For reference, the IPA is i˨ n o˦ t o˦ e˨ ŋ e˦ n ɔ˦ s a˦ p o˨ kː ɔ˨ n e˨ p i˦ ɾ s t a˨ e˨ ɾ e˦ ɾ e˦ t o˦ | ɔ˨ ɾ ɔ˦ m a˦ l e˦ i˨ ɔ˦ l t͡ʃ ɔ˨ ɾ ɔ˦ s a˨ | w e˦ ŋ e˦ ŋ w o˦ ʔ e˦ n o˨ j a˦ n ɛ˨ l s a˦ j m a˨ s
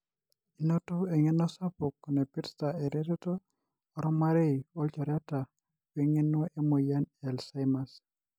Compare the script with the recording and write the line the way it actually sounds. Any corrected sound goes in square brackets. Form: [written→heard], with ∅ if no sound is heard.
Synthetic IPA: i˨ n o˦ t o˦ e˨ ŋ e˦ n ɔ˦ s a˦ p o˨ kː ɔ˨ n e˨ p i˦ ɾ s t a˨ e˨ ɾ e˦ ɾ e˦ t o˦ | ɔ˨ ɾ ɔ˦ m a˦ [l→ɾ] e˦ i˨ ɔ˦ l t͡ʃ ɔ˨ ɾ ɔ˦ [s→t] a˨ | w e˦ ŋ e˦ [ŋ→n] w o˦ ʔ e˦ [n→m] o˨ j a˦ n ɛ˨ l s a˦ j m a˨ s